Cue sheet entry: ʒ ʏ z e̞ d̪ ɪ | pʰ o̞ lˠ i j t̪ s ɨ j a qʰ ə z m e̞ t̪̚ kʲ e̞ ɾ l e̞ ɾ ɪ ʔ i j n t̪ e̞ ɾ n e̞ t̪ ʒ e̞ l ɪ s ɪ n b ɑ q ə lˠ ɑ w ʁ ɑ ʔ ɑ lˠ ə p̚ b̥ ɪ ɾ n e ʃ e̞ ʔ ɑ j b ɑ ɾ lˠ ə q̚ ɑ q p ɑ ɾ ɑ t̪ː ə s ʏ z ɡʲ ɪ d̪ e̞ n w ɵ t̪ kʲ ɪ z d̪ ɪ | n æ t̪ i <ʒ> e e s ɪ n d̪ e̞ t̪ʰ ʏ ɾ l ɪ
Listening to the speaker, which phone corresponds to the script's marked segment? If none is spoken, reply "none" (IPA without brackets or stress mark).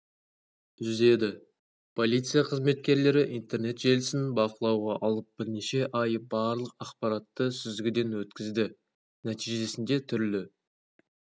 ʒ